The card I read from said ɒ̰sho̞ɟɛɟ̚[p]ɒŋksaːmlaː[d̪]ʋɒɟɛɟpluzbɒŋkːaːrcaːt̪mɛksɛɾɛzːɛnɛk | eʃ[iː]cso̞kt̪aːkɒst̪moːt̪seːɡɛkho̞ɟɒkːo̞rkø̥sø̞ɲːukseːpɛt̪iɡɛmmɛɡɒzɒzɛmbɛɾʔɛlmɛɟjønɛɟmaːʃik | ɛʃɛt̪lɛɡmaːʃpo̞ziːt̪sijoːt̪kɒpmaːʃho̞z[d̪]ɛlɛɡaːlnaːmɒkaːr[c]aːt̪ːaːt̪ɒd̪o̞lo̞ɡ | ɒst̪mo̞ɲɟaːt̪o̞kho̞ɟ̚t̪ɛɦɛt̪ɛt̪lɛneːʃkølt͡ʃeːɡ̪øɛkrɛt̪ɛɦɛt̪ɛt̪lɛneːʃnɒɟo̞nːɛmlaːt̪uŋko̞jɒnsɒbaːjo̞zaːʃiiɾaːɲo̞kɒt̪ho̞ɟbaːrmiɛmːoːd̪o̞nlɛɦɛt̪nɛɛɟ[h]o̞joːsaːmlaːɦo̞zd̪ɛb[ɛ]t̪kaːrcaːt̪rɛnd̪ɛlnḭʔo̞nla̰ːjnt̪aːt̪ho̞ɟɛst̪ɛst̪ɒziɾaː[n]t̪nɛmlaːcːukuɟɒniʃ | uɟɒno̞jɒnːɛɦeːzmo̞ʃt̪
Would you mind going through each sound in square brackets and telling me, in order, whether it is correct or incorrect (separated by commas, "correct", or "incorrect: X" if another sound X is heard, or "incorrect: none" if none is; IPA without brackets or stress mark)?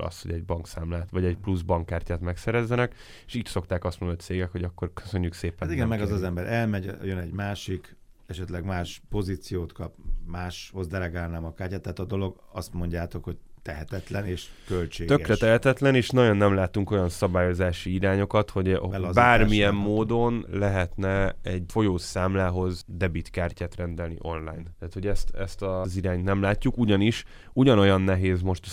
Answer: incorrect: b, incorrect: t̪, correct, correct, correct, incorrect: f, incorrect: i, incorrect: ɲ